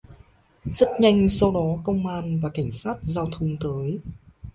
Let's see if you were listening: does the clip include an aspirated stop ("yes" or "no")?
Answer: yes